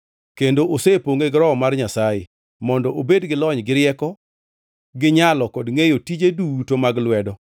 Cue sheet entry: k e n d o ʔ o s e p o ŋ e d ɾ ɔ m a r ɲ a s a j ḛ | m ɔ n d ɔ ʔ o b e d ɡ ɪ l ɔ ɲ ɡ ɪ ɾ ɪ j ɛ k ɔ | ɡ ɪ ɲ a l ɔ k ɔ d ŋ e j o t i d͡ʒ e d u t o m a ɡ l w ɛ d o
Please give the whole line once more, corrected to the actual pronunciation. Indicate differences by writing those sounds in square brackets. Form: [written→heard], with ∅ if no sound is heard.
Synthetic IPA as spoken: k e n d o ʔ o s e p o ŋ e [d→ɡ] ɾ ɔ m a r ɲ a s a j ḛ | m ɔ n d ɔ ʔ o b e d ɡ ɪ l ɔ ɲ ɡ ɪ ɾ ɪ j ɛ k ɔ | ɡ ɪ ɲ a l ɔ k ɔ d ŋ e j o t i d͡ʒ e d u t o m a ɡ l w ɛ d [o→ɔ]